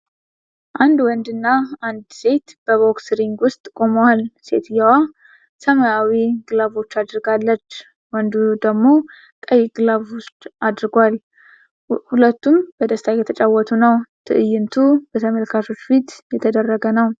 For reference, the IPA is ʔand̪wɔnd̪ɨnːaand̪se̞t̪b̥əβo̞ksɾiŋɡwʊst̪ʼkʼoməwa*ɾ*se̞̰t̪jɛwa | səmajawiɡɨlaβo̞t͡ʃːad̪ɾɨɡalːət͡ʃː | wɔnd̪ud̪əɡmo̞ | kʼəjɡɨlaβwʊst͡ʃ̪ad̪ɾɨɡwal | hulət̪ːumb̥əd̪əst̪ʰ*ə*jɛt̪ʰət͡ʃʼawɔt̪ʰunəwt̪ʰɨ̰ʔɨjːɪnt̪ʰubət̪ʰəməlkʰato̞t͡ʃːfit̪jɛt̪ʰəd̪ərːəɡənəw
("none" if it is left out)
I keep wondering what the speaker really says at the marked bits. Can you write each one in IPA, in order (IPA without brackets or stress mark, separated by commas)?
l, a